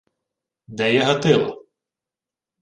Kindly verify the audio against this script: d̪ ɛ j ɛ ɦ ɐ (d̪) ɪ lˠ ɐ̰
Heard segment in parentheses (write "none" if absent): t̪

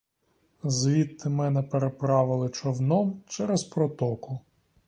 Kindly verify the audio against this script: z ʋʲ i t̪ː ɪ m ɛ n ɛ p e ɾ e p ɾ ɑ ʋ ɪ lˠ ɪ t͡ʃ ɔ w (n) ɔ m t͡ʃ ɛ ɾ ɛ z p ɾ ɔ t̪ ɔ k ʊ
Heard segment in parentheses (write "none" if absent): n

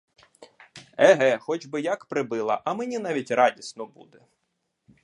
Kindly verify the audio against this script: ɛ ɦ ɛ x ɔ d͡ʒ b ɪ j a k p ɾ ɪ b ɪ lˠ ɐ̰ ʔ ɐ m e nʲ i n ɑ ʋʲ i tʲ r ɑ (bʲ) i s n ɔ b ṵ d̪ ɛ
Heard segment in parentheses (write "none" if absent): dʲ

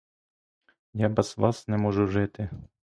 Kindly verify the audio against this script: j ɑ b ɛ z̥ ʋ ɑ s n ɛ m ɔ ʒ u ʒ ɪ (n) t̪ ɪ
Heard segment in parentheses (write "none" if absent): none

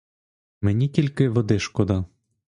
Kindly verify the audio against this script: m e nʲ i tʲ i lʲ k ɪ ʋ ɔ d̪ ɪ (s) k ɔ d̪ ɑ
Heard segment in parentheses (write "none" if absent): ʃ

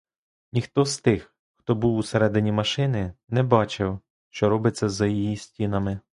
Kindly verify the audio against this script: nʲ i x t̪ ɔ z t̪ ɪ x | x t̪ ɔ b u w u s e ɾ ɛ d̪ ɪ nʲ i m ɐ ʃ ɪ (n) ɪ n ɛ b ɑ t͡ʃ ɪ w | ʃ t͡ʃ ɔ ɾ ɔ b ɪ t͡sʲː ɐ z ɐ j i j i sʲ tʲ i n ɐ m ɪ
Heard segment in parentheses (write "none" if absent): n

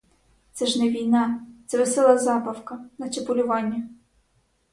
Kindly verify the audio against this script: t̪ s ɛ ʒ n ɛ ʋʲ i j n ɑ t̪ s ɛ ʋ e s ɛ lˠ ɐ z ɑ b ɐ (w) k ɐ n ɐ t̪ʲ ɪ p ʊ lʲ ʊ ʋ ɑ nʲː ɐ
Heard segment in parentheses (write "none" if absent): w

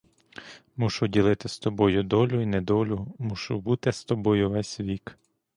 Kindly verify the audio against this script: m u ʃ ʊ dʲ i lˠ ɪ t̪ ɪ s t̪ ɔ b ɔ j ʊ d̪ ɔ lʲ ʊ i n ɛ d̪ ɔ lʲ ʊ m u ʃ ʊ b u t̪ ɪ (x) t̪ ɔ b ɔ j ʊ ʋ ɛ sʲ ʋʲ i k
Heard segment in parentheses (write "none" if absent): s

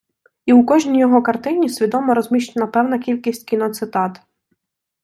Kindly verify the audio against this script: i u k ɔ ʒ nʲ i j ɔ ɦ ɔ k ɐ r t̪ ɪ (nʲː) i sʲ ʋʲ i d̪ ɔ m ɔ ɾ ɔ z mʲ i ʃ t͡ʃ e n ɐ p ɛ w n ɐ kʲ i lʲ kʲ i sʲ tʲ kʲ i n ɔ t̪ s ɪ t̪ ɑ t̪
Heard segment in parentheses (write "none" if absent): nʲ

